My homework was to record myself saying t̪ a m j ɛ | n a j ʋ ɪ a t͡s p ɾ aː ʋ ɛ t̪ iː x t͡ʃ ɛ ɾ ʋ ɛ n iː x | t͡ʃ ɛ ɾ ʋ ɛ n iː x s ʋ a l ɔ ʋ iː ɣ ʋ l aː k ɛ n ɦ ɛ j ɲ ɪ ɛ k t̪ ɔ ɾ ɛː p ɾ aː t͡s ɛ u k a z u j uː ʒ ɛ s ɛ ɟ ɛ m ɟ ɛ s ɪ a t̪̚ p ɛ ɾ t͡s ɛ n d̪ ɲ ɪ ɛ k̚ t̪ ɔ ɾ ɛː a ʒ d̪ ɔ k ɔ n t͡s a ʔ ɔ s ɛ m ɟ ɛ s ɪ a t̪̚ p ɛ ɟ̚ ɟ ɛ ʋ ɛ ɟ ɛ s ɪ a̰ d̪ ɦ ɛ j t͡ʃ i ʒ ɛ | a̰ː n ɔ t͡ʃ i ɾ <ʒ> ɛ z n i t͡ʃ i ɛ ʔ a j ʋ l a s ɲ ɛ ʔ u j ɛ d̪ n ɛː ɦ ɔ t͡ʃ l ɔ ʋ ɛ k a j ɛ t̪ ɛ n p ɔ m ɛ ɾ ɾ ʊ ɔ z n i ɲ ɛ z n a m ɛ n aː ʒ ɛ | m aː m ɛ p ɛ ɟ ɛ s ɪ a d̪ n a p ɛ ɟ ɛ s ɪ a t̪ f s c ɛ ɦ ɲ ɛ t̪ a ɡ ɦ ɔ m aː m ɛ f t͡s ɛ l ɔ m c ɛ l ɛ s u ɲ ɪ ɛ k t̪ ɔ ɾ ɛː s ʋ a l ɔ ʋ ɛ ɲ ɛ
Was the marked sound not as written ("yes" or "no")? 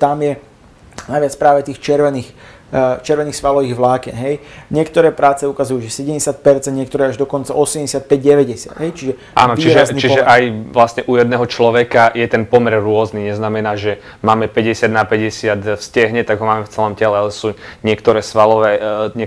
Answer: no